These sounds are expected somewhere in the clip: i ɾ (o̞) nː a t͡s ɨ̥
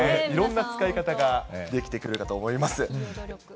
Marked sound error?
yes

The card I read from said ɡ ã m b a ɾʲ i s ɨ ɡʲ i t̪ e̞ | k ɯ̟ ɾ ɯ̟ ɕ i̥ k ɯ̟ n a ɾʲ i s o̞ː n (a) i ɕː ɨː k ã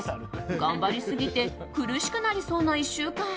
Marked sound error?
no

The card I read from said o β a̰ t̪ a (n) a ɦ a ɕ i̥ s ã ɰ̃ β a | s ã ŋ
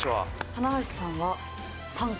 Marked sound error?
no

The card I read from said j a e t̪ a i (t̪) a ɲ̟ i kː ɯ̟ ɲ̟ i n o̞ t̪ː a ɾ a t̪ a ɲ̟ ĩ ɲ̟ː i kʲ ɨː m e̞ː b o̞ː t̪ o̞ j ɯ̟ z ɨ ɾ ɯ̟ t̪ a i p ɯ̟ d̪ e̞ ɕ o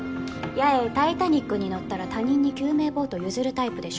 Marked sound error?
no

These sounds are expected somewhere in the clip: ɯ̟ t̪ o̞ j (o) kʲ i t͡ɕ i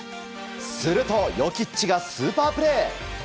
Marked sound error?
no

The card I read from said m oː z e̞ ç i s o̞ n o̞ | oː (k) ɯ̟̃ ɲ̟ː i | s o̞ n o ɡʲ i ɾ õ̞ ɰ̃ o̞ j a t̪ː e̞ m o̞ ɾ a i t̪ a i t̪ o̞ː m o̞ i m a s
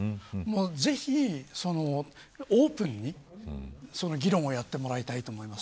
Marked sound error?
yes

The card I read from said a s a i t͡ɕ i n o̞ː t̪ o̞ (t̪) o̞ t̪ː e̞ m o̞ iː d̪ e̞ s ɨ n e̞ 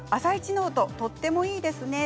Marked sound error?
no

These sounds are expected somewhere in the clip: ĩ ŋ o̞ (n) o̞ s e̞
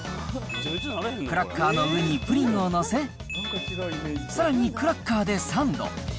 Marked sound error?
no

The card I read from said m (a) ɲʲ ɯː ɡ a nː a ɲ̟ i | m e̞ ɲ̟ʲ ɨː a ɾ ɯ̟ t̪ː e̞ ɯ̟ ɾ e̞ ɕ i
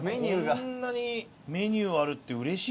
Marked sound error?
yes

